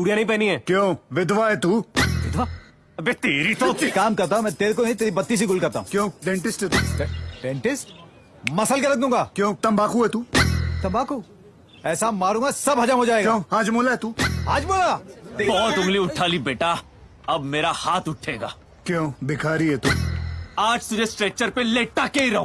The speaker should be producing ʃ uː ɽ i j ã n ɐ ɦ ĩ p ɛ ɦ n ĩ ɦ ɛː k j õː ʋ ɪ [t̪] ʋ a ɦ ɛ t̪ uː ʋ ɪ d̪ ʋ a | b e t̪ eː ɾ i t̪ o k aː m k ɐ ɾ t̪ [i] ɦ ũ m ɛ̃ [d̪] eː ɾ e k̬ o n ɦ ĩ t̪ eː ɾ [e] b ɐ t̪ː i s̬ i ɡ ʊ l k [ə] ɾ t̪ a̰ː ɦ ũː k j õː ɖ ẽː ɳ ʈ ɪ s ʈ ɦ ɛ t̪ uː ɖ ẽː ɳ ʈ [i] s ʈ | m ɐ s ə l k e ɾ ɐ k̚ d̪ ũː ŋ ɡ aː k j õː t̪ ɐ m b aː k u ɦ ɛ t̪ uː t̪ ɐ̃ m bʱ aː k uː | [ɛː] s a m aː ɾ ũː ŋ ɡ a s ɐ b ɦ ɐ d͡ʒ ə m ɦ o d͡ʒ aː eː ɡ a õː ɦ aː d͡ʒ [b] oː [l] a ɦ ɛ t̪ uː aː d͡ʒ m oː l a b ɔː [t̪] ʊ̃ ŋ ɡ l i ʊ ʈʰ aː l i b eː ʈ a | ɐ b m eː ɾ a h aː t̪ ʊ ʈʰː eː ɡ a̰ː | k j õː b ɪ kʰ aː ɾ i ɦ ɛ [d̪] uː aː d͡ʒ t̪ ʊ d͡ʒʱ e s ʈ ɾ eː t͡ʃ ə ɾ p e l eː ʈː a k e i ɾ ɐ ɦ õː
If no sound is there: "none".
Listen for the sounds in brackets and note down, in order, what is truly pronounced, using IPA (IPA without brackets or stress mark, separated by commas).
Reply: d̪, a, t̪, i, ɐ, ɪ, ɛː, m, l, t̪, t̪